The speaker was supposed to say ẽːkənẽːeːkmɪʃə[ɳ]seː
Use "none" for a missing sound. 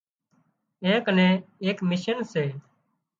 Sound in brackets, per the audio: n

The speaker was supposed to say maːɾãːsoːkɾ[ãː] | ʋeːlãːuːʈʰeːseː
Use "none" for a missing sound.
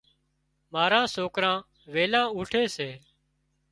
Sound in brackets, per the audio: ãː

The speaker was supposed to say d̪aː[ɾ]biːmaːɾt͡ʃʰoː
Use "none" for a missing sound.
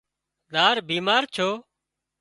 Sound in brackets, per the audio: ɾ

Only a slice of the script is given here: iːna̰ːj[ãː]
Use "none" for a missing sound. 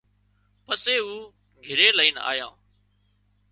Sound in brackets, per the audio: ãː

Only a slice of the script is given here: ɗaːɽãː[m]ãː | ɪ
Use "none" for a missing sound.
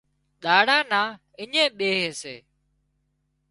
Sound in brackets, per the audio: n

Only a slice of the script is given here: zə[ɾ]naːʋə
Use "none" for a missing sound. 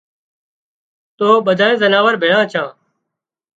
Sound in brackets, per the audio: none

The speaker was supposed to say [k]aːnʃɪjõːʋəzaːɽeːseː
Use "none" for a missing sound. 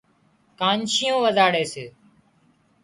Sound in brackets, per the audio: k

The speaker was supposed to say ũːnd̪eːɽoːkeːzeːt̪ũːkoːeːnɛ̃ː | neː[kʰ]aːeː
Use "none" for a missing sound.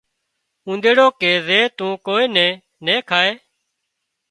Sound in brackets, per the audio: kʰ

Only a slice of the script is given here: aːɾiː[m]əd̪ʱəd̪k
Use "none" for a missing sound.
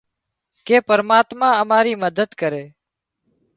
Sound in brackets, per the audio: m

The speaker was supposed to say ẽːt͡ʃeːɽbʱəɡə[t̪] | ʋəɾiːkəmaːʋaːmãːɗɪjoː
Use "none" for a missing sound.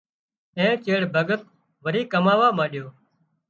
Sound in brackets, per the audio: t̪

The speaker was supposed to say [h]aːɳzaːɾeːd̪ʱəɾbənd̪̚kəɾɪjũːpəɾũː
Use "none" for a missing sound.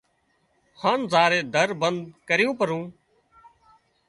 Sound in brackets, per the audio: h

